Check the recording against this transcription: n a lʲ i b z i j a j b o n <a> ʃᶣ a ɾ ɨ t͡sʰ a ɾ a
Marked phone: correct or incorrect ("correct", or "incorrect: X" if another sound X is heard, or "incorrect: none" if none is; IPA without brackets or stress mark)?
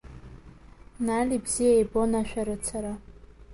correct